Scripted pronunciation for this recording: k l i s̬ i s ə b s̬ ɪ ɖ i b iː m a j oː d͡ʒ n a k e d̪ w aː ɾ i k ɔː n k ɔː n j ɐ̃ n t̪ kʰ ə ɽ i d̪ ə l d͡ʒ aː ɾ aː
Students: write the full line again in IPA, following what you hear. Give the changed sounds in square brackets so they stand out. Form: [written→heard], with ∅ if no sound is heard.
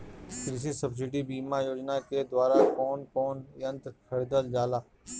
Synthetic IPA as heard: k [l→ɾ] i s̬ i s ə b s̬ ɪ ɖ i b iː m a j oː d͡ʒ n a k e d̪ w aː ɾ [i→a] k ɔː n k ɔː n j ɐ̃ n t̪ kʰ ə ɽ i d̪ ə l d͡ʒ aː [ɾ→l] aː